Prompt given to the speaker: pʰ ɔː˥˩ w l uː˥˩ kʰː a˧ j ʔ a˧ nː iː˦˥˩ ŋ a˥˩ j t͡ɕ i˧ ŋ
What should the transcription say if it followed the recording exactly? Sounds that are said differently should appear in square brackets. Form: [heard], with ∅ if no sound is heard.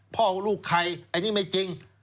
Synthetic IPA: pʰ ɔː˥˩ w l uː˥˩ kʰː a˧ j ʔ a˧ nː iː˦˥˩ [m] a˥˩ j t͡ɕ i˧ ŋ